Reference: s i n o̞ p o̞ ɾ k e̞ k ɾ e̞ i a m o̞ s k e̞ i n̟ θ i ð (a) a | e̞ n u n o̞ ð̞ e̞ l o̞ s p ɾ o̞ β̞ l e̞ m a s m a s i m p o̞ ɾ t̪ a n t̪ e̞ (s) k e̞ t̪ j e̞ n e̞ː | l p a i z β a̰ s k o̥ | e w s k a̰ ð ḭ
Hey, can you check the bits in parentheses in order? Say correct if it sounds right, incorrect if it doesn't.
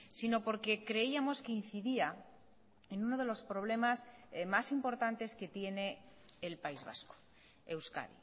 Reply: incorrect: i, correct

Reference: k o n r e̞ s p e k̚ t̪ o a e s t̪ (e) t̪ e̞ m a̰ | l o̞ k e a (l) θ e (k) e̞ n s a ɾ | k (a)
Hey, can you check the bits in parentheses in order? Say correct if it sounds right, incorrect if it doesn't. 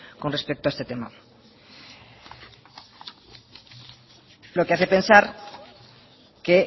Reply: correct, incorrect: none, incorrect: p, incorrect: e

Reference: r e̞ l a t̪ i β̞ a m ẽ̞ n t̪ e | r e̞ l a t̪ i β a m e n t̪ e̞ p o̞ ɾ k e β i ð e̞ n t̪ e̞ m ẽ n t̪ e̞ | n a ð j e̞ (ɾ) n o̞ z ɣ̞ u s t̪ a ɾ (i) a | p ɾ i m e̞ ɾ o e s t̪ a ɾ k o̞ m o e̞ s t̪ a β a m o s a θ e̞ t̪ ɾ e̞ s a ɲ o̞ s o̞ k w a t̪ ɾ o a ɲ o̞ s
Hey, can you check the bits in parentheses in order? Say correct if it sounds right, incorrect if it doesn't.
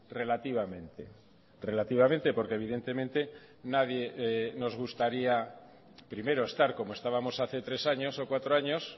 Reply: incorrect: none, correct

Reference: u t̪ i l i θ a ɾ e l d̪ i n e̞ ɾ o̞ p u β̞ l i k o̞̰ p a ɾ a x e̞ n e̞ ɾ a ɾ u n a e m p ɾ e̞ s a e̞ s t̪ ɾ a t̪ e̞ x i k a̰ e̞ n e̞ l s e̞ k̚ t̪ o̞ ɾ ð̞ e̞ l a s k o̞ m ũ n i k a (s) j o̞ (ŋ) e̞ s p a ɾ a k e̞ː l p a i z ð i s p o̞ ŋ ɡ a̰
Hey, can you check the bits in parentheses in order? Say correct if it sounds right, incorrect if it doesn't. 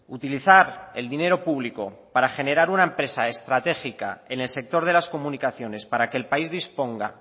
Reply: incorrect: θ, incorrect: n

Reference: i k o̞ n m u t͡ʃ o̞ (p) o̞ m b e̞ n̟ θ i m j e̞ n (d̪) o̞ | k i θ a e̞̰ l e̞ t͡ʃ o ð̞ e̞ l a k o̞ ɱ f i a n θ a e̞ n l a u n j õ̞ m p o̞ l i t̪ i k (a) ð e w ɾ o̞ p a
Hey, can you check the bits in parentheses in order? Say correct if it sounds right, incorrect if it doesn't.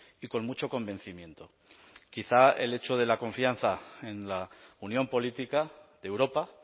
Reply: incorrect: k, incorrect: t̪, correct

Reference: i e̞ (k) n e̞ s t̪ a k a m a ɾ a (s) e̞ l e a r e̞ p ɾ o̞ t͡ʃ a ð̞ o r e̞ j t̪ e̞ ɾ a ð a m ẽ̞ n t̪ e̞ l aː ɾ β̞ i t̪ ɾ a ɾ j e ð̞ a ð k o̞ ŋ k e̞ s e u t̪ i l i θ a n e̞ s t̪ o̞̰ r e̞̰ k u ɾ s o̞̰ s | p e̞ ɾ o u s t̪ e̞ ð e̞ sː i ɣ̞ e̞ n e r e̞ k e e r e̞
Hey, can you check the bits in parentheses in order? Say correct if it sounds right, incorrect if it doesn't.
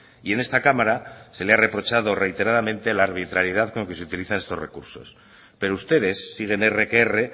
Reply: incorrect: none, correct

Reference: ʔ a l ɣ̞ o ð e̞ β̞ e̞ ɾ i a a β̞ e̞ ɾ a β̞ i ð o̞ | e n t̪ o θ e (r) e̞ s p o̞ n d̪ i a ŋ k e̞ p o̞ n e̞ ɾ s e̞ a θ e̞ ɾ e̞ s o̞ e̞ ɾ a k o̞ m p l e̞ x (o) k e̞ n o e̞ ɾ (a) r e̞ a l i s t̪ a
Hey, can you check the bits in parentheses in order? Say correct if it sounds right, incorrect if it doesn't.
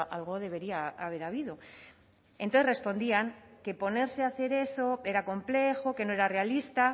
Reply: correct, correct, correct

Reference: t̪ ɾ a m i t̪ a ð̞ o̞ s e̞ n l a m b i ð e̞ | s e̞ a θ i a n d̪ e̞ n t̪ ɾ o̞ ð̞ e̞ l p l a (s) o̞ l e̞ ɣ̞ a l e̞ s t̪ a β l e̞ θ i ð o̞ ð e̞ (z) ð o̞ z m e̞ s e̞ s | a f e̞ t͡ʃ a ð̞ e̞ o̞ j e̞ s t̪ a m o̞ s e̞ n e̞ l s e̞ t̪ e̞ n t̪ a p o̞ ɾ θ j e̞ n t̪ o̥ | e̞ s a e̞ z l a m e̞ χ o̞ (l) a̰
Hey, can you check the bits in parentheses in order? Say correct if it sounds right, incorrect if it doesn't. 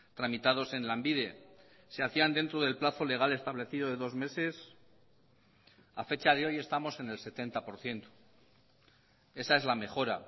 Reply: incorrect: θ, incorrect: none, incorrect: ɾ

